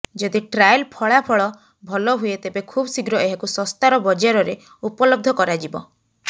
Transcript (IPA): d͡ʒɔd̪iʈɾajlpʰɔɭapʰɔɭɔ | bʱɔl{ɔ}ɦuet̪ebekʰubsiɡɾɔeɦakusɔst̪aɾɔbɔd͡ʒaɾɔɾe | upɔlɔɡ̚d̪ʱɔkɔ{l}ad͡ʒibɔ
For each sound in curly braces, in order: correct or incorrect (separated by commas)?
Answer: correct, incorrect